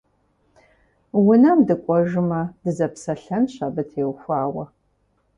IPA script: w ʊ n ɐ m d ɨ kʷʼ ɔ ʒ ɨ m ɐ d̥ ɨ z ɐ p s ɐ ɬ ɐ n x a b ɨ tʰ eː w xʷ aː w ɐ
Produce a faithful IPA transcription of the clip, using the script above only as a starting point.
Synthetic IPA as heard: w ʊ n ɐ m d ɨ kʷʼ ɔ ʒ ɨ m ɐ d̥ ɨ z ɐ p s ɐ ɬ ɐ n ɕ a b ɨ tʰ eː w xʷ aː w ɐ